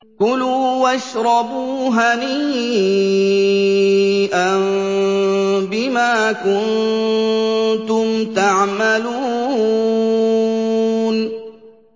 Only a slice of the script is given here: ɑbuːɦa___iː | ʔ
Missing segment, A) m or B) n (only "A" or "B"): B